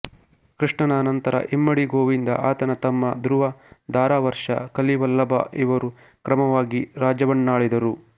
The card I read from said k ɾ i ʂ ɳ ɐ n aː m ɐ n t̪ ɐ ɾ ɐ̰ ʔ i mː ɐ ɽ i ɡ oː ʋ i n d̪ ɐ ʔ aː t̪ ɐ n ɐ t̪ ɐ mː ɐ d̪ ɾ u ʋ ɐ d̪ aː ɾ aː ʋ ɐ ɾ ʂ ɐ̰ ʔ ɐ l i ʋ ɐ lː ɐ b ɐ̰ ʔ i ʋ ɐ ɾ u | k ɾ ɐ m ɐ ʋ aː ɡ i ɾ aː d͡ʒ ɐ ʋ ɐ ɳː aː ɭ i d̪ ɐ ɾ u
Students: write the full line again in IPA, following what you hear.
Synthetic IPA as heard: k ɾ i ʂ ɳ ɐ n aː n ɐ n t̪ ɐ ɾ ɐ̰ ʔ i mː ɐ ɽ i ɡ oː ʋ i n d̪ ɐ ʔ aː t̪ ɐ n ɐ t̪ ɐ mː ɐ d̪ ɾ u ʋ ɐ d̪ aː ɾ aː ʋ ɐ ɾ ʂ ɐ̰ k ɐ l i ʋ ɐ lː ɐ b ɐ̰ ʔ i ʋ ɐ ɾ u | k ɾ ɐ m ɐ ʋ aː ɡ i ɾ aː d͡ʒ ɐ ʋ ɐ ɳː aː ɭ i d̪ ɐ ɾ u

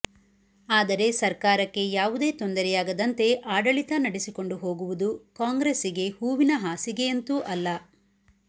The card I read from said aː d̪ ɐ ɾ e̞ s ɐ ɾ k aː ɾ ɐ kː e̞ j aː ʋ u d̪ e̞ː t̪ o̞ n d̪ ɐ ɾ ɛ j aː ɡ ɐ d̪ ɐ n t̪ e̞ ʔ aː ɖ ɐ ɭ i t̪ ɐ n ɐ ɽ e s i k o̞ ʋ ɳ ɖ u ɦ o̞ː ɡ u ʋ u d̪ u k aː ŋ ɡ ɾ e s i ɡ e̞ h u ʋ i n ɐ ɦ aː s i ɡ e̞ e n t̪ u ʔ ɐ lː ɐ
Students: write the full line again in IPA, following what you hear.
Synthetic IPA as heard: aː d̪ ɐ ɾ e̞ s ɐ ɾ k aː ɾ ɐ kː e̞ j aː ʋ u d̪ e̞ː t̪ o̞ n d̪ ɐ ɾ ɛ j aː ɡ ɐ d̪ ɐ n t̪ e̞ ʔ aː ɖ ɐ ɭ i t̪ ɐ n ɐ ɽ e s i k o̞ ɳ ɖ u ɦ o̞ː ɡ u ʋ u d̪ u k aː ŋ ɡ ɾ e s i ɡ e̞ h uː ʋ i n ɐ ɦ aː s i ɡ e̞ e n t̪ u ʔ ɐ lː ɐ

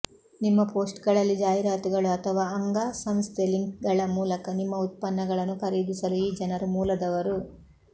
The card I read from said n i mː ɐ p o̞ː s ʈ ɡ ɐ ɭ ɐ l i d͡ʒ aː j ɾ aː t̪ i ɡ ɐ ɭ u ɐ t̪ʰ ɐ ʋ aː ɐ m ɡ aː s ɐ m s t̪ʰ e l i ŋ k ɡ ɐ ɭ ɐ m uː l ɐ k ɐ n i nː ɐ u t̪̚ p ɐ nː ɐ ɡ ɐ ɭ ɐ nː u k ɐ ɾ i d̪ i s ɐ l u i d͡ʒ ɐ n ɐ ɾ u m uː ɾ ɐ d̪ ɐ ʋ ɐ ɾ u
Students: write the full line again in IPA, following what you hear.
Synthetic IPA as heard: n i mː ɐ p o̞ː s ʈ ɡ ɐ ɭ ɐ lː i d͡ʒ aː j ɾ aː t̪ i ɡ ɐ ɭ u ɐ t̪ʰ ɐ ʋ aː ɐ ŋ ɡ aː s ɐ m s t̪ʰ e l i ŋ k ɡ ɐ ɭ ɐ m uː l ɐ k ɐ n i mː ɐ u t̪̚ p ɐ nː ɐ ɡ ɐ ɭ ɐ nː u k ɐ ɾ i d̪ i s ɐ l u i d͡ʒ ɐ n ɐ ɾ u m uː l ɐ d̪ ɐ ʋ ɐ ɾ u

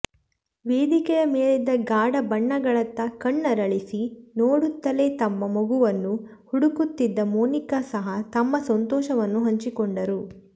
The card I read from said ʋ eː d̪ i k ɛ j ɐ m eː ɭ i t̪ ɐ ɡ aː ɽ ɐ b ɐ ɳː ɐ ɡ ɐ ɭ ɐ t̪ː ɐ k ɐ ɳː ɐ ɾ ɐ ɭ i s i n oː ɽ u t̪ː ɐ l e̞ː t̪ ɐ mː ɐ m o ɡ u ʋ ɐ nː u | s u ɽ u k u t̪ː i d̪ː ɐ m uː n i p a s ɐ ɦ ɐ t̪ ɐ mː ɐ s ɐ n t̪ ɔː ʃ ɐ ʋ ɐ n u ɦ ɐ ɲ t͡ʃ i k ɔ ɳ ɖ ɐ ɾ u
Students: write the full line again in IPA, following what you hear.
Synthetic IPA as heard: ʋ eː d̪ i k ɛ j ɐ m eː ɭ i d̪ ɐ ɡ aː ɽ ɐ b ɐ ɳː ɐ ɡ ɐ ɭ ɐ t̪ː ɐ k ɐ ɳː ɐ ɾ ɐ ɭ i s i n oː ɽ u t̪ː ɐ l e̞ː t̪ ɐ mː ɐ m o ɡ u ʋ ɐ nː u | h u ɽ u k u t̪ː i d̪ː ɐ m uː n i k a s ɐ ɦ ɐ t̪ ɐ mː ɐ s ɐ n t̪ ɔː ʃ ɐ ʋ ɐ nː u ɦ ɐ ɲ t͡ʃ i k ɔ ɳ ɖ ɐ ɾ u

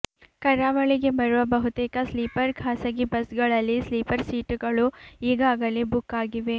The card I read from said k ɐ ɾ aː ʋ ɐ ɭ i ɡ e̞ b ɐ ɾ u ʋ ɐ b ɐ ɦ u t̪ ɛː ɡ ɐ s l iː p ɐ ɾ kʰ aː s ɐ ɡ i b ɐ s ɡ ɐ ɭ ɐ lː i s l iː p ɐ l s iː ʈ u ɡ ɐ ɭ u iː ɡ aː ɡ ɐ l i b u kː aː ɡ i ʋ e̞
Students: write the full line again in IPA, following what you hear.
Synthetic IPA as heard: k ɐ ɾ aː ʋ ɐ ɭ i ɡ e̞ b ɐ ɾ u ʋ ɐ b ɐ ɦ u t̪ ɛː k ɐ s l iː p ɐ ɾ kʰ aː s ɐ ɡ i b ɐ s ɡ ɐ ɭ ɐ lː i s l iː p ɐ ɾ s iː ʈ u ɡ ɐ ɭ u iː ɡ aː ɡ ɐ l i b u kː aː ɡ i ʋ e̞

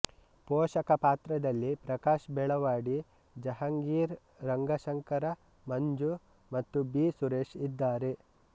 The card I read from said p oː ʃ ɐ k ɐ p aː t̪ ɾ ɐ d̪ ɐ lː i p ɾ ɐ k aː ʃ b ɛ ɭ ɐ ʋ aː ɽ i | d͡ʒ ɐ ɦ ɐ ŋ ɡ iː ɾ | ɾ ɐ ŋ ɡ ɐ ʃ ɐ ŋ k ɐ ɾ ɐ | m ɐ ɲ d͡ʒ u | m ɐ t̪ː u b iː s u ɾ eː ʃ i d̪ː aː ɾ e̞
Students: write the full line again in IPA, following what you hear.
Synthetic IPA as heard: p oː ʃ ɐ k ɐ p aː t̪ ɾ ɐ d̪ ɐ lː i p ɾ ɐ k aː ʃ b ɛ ɭ ɐ ʋ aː ɽ i | d͡ʒ ɐ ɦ ɐ ŋ ɡ iː ɾ | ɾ ɐ ŋ ɡ ɐ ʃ ɐ ŋ k ɐ ɾ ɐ | m ɐ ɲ d͡ʒ u | m ɐ t̪ː u b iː s u ɾ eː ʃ i d̪ː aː ɾ e̞

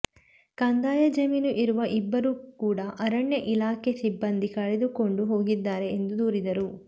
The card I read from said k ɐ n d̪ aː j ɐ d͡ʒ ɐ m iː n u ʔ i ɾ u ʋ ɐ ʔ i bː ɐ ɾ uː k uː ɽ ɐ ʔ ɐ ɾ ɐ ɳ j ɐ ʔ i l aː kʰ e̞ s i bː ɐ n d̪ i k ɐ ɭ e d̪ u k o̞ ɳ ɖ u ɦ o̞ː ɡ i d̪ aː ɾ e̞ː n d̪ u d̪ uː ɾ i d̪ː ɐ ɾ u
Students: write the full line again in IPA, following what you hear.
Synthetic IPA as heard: k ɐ n d̪ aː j ɐ d͡ʒ ɐ m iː n u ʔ i ɾ u ʋ ɐ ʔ i bː ɐ ɾ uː k uː ɽ ɐ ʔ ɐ ɾ ɐ ɳ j ɐ ʔ i l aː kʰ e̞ s i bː ɐ n d̪ i k ɐ ɭ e d̪ u k o̞ ɳ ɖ u ɦ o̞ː ɡ i d̪ː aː ɾ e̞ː n d̪ u d̪ uː ɾ i d̪ ɐ ɾ u

